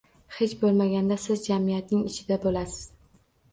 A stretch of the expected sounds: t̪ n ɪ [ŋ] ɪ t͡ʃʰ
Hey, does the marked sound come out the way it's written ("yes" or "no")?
yes